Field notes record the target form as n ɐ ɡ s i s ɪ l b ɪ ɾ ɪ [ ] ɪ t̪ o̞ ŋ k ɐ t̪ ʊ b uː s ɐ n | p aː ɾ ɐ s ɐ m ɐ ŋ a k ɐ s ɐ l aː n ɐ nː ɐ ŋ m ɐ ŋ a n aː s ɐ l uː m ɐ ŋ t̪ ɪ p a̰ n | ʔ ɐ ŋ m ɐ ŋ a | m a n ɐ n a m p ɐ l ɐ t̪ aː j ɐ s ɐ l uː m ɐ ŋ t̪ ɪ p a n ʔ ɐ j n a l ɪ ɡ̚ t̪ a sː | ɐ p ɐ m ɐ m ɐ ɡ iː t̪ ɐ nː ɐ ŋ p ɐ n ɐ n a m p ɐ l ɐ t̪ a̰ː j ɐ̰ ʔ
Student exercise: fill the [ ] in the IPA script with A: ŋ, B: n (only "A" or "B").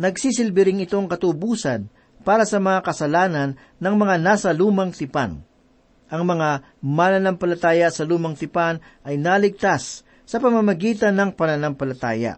A